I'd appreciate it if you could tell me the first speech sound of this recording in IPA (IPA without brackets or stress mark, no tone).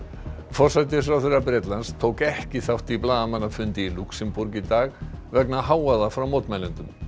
f